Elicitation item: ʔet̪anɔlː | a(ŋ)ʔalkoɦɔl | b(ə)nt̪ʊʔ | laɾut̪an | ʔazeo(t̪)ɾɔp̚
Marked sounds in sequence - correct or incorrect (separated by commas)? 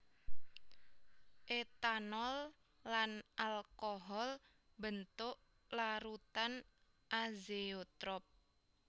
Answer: incorrect, correct, correct